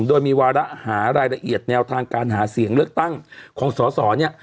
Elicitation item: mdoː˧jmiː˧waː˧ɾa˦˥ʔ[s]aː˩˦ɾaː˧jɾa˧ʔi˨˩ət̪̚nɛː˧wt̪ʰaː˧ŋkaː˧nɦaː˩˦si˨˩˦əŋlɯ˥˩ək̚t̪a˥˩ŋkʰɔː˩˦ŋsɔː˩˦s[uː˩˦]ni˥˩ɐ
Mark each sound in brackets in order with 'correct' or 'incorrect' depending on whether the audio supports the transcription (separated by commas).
incorrect, incorrect